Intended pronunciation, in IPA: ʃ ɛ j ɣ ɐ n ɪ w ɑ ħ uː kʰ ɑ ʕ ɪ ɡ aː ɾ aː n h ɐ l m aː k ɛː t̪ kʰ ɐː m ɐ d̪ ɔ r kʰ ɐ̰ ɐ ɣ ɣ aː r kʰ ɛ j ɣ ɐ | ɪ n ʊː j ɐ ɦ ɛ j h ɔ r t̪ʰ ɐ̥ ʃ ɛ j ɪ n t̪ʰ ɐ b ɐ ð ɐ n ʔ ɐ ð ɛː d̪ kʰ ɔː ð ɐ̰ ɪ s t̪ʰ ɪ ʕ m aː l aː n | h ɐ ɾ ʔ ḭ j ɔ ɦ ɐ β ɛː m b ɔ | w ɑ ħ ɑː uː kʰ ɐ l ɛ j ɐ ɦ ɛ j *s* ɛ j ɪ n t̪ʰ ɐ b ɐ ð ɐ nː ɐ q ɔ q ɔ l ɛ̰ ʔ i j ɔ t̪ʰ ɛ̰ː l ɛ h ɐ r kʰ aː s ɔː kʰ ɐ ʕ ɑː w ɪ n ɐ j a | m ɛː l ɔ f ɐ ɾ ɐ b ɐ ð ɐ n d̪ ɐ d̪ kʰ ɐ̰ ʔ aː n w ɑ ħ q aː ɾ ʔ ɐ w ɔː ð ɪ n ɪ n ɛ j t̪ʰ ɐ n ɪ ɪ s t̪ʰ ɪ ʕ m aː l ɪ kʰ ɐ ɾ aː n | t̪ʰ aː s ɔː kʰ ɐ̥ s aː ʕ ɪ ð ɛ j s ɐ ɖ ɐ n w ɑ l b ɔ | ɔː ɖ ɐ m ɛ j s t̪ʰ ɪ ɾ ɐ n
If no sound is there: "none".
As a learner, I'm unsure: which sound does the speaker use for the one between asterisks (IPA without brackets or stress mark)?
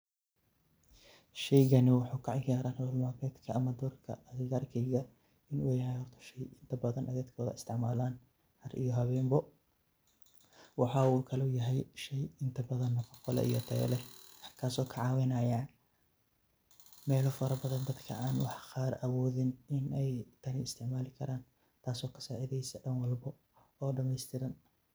ʃ